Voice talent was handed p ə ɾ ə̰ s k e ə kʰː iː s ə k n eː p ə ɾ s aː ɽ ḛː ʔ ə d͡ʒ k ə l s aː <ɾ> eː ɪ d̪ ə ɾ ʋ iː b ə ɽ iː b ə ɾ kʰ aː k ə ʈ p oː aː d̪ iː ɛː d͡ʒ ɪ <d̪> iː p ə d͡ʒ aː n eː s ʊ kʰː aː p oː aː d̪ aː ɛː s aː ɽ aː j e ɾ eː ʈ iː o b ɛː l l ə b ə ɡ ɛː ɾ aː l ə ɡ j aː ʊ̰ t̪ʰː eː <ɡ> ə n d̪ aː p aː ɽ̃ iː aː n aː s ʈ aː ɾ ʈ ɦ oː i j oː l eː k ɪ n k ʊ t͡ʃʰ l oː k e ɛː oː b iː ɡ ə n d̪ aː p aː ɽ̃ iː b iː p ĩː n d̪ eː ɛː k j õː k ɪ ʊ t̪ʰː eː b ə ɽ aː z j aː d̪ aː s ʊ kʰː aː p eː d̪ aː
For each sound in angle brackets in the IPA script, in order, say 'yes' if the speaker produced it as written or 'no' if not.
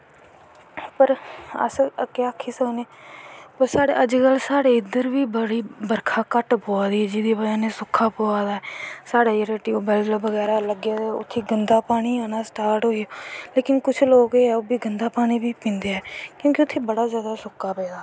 no, yes, yes

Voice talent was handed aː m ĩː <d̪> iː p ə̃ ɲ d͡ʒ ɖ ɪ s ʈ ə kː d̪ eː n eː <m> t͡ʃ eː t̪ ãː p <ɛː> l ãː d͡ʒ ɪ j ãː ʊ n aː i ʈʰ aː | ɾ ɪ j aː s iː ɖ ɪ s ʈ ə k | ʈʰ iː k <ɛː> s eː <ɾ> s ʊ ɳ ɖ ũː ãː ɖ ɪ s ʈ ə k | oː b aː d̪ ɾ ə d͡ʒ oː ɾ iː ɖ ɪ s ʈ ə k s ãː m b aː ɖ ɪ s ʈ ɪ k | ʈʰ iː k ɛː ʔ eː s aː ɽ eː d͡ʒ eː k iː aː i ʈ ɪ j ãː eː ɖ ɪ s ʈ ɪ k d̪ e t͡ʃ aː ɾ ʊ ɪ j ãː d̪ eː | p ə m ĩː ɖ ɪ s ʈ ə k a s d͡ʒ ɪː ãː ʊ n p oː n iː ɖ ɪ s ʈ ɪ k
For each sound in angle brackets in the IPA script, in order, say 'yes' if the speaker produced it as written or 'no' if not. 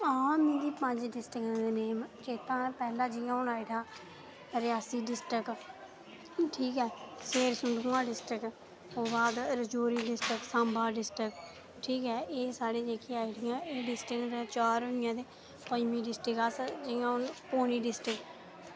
yes, yes, yes, yes, yes

